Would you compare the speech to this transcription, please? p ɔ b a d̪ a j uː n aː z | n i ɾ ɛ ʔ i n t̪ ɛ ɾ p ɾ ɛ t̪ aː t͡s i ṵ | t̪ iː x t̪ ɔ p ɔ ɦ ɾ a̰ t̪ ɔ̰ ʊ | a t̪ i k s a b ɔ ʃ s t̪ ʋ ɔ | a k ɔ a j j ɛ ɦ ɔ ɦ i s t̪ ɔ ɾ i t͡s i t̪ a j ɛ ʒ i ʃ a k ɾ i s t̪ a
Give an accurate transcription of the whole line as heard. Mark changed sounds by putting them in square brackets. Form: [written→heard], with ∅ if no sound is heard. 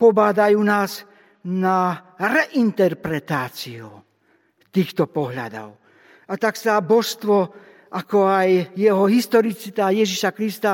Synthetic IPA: p ɔ b a d̪ a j uː n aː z | n [i→a] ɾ ɛ ʔ i n t̪ ɛ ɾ p ɾ ɛ t̪ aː t͡s i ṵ | t̪ iː x t̪ ɔ p ɔ ɦ [ɾ→ʎ] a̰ [t̪→d̪] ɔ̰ ʊ | a t̪ [i→a] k s a b ɔ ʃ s t̪ ʋ ɔ | a k ɔ a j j ɛ ɦ ɔ ɦ i s t̪ ɔ ɾ i t͡s i t̪ a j ɛ ʒ i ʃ a k ɾ i s t̪ a